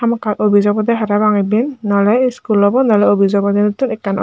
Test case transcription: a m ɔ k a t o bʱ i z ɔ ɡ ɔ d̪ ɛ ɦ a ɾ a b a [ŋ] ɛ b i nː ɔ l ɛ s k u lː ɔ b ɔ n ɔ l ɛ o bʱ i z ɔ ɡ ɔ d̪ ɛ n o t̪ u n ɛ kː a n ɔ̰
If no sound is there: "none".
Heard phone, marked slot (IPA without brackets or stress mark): ŋ